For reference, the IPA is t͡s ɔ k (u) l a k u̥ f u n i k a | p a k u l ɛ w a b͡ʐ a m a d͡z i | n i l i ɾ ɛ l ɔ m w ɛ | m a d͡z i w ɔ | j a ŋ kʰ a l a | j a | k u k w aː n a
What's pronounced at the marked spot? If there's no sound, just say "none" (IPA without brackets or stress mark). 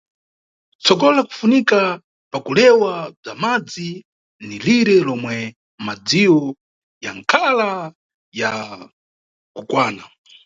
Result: ɔ